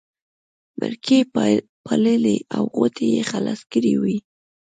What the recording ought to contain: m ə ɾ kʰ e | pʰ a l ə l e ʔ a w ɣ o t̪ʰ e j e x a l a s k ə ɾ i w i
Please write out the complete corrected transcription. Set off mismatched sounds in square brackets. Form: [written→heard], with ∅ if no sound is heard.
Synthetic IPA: m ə ɾ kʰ e | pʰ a l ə l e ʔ a w ɣ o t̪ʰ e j e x a l a s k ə ɾ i w i

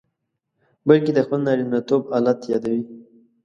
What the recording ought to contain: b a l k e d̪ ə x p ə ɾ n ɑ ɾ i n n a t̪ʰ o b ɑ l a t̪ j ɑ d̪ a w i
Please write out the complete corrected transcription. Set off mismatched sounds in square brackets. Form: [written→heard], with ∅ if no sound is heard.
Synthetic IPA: b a l k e d̪ ə x p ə [ɾ→l] n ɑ ɾ i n n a [t̪ʰ→t̪] o b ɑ l a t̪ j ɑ d̪ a w i

